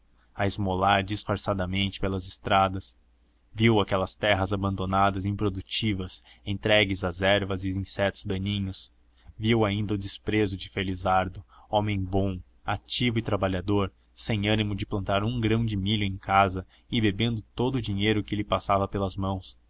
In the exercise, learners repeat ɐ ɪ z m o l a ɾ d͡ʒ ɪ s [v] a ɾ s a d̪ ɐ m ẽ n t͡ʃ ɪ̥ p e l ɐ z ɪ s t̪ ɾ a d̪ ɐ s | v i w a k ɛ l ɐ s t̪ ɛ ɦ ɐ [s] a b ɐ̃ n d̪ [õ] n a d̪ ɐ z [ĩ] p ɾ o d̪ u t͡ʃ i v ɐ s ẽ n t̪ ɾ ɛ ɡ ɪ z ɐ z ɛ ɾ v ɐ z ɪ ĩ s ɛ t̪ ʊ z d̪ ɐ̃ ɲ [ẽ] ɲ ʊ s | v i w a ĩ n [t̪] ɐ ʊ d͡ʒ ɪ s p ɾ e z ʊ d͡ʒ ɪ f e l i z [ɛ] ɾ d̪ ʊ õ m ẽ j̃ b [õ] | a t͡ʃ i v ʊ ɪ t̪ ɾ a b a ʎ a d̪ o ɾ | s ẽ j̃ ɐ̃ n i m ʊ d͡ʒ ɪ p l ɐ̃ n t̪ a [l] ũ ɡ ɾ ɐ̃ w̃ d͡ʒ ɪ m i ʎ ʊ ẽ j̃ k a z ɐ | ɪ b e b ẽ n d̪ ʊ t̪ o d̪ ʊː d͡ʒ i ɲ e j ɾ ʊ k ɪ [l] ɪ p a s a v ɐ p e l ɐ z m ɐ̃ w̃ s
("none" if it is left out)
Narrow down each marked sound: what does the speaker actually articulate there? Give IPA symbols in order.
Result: f, z, o, ĩ, ĩ, d̪, a, õ, ɾ, l

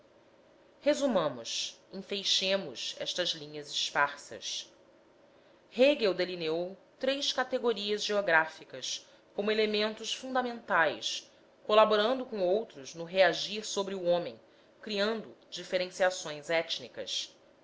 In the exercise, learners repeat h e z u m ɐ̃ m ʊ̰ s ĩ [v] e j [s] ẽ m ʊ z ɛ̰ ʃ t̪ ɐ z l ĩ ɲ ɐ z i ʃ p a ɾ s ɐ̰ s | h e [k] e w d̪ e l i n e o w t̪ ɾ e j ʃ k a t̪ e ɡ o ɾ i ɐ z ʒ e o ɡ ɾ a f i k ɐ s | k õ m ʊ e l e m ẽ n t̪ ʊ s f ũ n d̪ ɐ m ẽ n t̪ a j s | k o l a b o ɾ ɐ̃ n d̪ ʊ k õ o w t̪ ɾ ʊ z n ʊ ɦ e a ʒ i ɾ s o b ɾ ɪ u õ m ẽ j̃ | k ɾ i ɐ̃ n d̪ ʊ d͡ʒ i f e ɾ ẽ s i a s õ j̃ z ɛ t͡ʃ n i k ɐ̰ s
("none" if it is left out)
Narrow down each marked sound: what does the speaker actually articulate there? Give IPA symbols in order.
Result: f, ʃ, ɡ

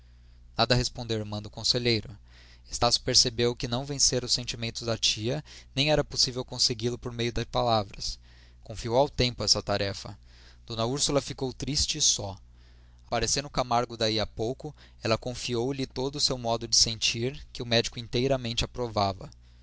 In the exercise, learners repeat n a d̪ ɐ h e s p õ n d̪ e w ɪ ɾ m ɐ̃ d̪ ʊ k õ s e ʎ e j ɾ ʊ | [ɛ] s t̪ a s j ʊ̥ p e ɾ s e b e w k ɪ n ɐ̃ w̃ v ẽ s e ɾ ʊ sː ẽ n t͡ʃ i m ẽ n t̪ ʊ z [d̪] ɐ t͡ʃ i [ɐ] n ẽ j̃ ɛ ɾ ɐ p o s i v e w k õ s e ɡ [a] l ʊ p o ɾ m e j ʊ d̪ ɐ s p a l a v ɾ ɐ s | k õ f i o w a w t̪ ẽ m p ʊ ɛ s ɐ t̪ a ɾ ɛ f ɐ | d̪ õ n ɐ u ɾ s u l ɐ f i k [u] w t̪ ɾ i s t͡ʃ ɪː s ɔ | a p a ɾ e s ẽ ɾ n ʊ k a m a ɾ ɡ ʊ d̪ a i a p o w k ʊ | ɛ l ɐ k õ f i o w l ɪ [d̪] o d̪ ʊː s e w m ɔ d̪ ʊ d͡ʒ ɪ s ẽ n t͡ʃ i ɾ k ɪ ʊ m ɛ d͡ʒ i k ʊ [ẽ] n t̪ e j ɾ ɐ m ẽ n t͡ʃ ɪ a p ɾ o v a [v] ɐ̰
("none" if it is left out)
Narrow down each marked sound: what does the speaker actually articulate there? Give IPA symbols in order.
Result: e, d̪, ɐ, i, o, t̪, ĩ, v

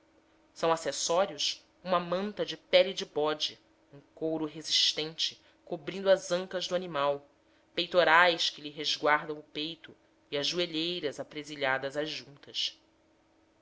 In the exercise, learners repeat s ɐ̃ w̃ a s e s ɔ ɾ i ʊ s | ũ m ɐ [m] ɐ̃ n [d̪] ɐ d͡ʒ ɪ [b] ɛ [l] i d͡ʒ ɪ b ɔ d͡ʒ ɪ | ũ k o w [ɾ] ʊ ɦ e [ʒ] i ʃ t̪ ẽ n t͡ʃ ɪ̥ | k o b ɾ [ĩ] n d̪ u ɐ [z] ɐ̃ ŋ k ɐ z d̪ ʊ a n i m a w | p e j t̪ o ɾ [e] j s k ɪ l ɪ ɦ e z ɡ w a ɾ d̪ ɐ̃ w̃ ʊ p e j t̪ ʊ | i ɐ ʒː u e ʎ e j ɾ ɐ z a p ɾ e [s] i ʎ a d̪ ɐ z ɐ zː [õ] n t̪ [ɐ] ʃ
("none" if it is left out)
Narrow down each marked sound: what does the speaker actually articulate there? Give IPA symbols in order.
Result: m, t̪, p, l, ɾ, z, ĩ, z, a, z, ũ, ɐ

